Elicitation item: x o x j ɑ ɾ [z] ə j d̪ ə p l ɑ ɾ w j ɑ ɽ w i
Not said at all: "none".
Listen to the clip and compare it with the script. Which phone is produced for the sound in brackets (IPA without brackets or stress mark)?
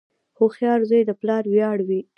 z